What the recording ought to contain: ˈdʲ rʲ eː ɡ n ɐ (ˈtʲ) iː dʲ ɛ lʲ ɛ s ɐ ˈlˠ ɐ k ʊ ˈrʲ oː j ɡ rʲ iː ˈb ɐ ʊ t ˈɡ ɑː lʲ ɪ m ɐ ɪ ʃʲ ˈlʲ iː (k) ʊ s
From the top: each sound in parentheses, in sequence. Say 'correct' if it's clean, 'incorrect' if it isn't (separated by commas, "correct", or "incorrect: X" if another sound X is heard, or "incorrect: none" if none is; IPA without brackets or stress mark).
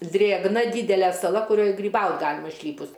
incorrect: dʲ, incorrect: p